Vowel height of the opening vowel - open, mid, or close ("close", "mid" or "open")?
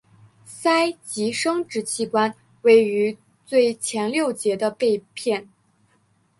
open